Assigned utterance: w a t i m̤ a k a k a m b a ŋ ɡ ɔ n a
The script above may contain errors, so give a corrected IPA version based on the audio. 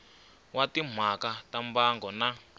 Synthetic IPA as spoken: w a t i m̤ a k a t a m b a ŋ ɡ ɔ n a

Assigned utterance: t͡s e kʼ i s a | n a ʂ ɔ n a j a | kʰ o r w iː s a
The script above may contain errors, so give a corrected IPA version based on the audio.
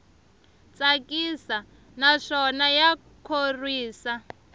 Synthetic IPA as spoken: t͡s a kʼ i s a | n a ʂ ɔ n a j a | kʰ o r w iː s a

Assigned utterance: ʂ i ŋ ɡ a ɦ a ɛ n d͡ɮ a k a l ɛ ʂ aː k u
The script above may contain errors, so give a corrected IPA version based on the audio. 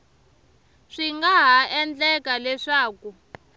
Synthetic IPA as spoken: ʂ i ŋ ɡ a ɦ a ɛ n d͡ɮ ɛ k a l ɛ ʂ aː k u

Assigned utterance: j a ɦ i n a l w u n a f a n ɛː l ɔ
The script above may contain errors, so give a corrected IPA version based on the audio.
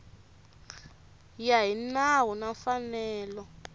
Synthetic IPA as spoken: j a ɦ i n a w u n a f a n ɛː l ɔ

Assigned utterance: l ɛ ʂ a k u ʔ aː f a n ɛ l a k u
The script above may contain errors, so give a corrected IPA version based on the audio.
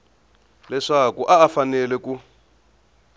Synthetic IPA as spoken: l ɛ ʂ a k u ʔ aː f a n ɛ l ɛ k u

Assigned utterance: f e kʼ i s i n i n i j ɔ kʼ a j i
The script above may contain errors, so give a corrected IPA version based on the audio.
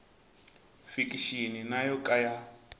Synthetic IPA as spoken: f i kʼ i ʃ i n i n a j ɔ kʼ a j a

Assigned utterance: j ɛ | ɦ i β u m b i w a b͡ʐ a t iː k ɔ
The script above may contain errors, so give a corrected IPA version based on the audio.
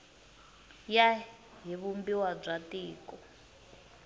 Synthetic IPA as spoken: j a | ɦ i β u m b i w a b͡ʐ a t iː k ɔ

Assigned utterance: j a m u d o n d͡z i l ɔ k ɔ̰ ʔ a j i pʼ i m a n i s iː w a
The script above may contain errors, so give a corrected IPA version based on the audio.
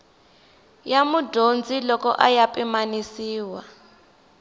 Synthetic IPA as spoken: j a m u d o n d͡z i l ɔ k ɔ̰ ʔ a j a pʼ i m a n i s iː w a

